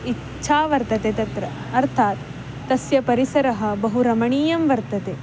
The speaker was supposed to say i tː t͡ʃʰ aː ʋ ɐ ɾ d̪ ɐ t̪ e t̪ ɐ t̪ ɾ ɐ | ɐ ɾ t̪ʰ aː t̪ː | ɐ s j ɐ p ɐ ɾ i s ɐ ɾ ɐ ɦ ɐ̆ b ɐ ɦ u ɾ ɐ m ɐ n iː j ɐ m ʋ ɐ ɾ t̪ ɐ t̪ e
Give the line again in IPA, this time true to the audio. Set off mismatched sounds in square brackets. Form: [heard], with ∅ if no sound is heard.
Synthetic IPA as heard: i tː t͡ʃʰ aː ʋ ɐ ɾ [t̪] ɐ t̪ e t̪ ɐ t̪ ɾ ɐ | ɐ ɾ t̪ʰ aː t̪ː | ɐ s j ɐ p ɐ ɾ i s ɐ ɾ ɐ ɦ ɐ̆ b ɐ ɦ u ɾ ɐ m ɐ [ɳ] iː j ɐ m ʋ ɐ ɾ t̪ ɐ t̪ e